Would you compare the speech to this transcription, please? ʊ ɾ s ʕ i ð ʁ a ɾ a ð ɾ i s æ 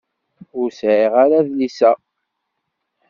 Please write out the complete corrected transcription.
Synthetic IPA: ʊ ɾ s ʕ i ʁ a ɾ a ð l i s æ